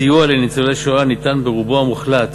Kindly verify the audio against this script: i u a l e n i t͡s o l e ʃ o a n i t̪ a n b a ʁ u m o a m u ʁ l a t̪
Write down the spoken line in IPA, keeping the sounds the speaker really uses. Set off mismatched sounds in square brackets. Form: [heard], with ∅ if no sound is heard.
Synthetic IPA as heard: i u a l e n i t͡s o l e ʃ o a n i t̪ a n b [e] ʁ u [b] o a m u [χ] l a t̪